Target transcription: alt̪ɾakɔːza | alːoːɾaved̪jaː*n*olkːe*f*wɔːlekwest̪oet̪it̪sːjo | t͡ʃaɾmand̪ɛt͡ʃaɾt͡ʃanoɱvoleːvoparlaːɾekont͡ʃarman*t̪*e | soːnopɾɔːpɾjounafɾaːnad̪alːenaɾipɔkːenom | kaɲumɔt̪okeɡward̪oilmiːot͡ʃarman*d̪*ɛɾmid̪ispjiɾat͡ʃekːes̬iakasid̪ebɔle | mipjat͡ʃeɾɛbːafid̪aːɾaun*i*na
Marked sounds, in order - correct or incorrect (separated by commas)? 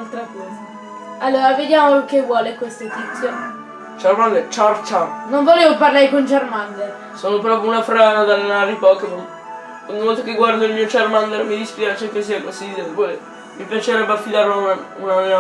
incorrect, incorrect, incorrect, correct, incorrect